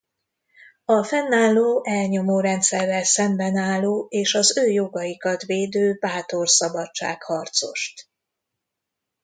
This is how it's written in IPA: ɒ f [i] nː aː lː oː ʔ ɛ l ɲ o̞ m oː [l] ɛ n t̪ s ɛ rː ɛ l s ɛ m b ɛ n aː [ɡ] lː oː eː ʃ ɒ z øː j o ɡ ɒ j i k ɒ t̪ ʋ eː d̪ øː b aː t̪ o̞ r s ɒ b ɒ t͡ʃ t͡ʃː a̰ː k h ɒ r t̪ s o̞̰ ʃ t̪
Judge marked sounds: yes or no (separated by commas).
no, no, no